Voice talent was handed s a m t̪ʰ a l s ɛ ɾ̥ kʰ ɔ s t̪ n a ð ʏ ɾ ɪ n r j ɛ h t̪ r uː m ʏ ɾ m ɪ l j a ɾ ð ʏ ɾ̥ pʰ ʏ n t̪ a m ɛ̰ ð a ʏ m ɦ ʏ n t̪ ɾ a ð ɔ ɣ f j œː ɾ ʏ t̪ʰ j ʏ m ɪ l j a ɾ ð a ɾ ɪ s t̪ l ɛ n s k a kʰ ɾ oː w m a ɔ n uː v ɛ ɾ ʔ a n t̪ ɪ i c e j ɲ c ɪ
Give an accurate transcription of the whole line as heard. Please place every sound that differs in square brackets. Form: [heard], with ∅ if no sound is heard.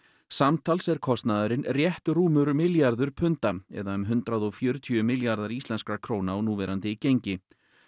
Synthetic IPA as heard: s a m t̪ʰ a l s ɛ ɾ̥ kʰ ɔ s t̪ n a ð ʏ ɾ ɪ n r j ɛ h t̪ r uː m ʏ ɾ m ɪ l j a ɾ ð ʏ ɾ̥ pʰ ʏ n t̪ a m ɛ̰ ð a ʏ m ɦ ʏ n t̪ ɾ a ð ɔ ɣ f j œː ɾ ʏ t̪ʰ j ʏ m ɪ l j a ɾ ð a ɾ [i] s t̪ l ɛ n s k a kʰ ɾ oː w [n] a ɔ n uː v ɛ ɾ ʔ a n t̪ ɪ i c e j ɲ c ɪ